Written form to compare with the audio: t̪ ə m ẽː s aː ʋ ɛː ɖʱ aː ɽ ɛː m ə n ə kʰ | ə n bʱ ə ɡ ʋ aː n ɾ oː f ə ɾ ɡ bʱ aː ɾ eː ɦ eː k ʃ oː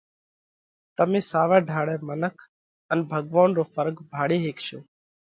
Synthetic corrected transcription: t̪ ə m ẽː s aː ʋ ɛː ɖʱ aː ɽ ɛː m ə n ə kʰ | ə n bʱ ə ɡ ʋ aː n ɾ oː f ə ɾ ɡ bʱ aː ɽ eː ɦ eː k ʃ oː